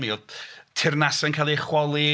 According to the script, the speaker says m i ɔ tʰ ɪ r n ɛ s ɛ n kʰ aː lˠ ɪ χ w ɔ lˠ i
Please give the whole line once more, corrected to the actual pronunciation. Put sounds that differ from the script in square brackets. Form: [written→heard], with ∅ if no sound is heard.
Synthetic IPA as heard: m i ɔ tʰ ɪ r n [ɛ→a] s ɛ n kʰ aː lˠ [ɪ→i] χ w ɔ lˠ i